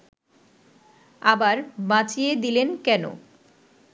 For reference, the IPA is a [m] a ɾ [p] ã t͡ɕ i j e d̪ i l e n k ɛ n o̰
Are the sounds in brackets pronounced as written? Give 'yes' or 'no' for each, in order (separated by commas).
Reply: no, no